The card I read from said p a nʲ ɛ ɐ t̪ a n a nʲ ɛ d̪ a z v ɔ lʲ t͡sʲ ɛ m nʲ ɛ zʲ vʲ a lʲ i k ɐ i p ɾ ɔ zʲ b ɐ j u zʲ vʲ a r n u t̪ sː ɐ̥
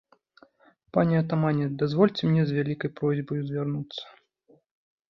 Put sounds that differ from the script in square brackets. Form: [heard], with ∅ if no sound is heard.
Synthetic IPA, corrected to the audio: p a nʲ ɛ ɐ t̪ a [m] a nʲ ɛ d̪ a z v ɔ lʲ t͡sʲ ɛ m nʲ ɛ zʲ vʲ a lʲ i k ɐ [j] p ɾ ɔ zʲ b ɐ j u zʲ vʲ a r n u t̪ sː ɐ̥